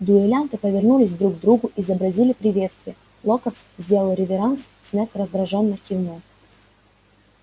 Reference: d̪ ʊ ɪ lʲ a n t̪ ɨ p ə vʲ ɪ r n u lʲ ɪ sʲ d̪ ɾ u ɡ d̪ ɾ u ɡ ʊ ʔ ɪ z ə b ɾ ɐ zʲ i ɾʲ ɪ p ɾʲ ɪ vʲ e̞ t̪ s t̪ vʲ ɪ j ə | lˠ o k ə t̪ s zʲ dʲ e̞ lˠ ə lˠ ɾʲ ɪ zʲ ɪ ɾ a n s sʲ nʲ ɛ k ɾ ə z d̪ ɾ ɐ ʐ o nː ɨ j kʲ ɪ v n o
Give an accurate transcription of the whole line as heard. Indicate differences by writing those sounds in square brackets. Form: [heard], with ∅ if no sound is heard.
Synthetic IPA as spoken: d̪ ʊ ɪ lʲ a n t̪ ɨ p ə vʲ ɪ r n u lʲ ɪ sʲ d̪ ɾ u ɡ d̪ ɾ u ɡ ʊ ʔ ɪ z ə b ɾ ɐ zʲ i [lʲ] ɪ p ɾʲ ɪ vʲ e̞ t̪ s t̪ vʲ ɪ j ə | lˠ o k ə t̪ s zʲ dʲ e̞ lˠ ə lˠ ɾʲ ɪ [vʲ] ɪ ɾ a n s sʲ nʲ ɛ k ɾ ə z d̪ ɾ ɐ ʐ o nː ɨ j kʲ ɪ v n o